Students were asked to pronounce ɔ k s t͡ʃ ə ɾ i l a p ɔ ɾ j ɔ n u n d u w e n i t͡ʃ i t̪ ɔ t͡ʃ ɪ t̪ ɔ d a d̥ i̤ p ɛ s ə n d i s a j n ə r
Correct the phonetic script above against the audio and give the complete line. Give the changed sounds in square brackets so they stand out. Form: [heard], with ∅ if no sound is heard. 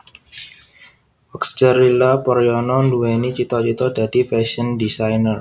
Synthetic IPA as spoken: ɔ k s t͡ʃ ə ɾ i l a p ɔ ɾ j ɔ n [ɔ] n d u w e n i t͡ʃ i t̪ ɔ t͡ʃ [i] t̪ ɔ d a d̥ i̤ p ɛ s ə n d i s a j n ə r